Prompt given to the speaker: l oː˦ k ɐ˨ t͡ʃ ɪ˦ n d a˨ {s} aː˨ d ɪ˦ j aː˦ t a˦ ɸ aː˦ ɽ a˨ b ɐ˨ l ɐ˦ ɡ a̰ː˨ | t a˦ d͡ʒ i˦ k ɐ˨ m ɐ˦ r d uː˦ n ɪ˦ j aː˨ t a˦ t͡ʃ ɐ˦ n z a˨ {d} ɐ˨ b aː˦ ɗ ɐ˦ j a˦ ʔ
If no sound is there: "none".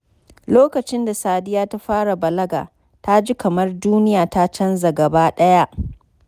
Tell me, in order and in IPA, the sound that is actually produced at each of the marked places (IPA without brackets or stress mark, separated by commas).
s, ɡ